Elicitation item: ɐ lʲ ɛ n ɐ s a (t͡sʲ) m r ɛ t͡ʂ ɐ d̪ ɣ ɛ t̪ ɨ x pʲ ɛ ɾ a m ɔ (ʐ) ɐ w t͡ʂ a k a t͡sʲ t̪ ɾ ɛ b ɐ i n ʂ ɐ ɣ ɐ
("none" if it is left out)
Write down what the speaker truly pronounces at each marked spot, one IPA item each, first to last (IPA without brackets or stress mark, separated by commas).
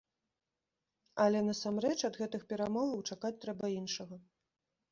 none, v